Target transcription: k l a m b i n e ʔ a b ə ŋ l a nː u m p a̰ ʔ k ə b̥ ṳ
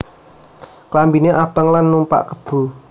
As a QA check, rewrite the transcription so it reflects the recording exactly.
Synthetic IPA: k l a m b i n e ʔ a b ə ŋ l a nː u m p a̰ ʔ k ə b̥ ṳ